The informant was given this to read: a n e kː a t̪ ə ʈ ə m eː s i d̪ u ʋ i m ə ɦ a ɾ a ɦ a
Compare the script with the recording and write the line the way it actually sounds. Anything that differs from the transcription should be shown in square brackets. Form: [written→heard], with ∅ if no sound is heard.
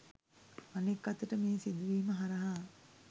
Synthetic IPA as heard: a n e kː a t̪ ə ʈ ə m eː s i d̪ u ʋ [i→iː] m ə ɦ a ɾ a ɦ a